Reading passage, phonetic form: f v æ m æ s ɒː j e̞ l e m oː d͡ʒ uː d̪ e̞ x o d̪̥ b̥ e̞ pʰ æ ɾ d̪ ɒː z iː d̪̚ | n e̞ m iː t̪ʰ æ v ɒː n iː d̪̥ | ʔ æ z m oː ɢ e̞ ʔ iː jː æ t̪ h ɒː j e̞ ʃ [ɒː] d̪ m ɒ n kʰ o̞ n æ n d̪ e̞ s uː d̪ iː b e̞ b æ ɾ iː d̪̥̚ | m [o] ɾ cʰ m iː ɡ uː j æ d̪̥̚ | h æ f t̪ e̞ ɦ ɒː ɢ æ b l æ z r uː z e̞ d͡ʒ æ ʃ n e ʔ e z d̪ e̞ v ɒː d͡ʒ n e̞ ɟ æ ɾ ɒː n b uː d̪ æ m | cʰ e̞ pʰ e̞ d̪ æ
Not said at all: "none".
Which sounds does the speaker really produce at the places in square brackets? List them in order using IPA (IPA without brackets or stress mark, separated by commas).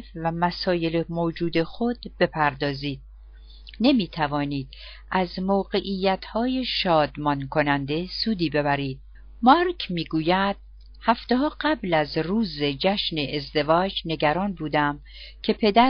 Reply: ɒː, ɒ